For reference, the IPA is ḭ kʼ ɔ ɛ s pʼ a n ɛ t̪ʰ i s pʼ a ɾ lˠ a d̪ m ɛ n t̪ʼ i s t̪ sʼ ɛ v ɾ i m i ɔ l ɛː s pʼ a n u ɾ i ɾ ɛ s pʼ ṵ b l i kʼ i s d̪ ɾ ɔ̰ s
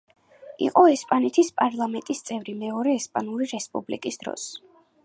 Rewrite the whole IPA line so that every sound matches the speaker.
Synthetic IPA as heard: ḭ qʼ ɔ ɛ s pʼ a n ɛ t̪ʰ i s pʼ a ɾ lˠ a m ɛ n t̪ʼ i s t̪ sʼ ɛ v ɾ i m ɛ ɔ ɾ ɛː s pʼ a n u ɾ i ɾ ɛ s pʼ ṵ b l i kʼ i s d̪ ɾ ɔ̰ s